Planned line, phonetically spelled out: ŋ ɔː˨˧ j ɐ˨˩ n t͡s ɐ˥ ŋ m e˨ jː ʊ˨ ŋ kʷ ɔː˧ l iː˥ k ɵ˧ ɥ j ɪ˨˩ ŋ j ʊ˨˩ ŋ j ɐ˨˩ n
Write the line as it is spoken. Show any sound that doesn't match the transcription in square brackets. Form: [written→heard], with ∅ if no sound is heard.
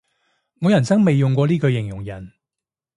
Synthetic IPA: ŋ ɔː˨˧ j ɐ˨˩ n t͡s ɐ˥ ŋ m e˨ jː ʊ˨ ŋ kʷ ɔː˧ l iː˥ k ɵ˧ ɥ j ɪ˨˩ ŋ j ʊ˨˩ ŋ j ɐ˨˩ n